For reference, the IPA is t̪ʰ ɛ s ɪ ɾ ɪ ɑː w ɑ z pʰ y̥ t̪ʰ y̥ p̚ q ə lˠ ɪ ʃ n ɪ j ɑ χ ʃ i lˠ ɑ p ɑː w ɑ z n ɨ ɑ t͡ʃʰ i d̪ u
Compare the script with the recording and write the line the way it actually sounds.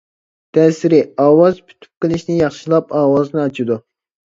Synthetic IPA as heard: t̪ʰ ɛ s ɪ ɾ ɪ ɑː w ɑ z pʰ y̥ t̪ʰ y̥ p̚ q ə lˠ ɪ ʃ n ɪ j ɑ χ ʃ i lˠ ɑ p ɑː w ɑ z n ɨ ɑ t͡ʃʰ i d̪ u